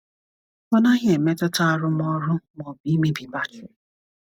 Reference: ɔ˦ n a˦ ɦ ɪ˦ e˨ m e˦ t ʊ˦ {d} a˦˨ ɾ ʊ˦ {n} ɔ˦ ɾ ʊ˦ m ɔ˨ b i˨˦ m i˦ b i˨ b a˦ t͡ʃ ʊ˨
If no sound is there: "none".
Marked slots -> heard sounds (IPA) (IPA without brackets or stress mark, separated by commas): t, m